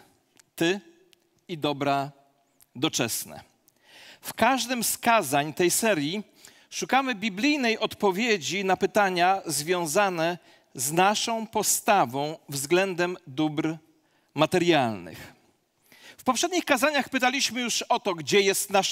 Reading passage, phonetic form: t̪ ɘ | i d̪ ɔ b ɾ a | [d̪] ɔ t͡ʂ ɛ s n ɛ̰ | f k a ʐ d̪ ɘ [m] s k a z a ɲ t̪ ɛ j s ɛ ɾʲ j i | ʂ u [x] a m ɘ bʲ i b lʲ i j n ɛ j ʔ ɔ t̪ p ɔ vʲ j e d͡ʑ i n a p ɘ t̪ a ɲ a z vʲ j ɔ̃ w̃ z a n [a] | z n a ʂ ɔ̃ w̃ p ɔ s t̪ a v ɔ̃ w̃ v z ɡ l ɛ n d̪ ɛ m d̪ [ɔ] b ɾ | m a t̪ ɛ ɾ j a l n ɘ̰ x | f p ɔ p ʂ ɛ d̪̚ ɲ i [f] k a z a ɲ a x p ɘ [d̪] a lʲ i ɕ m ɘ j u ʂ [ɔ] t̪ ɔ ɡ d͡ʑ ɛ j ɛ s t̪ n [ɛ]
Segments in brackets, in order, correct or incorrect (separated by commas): correct, correct, incorrect, incorrect, incorrect, incorrect, incorrect, correct, incorrect